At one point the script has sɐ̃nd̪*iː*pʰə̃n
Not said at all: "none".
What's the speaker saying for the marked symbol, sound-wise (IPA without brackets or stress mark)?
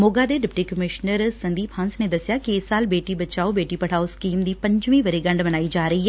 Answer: iː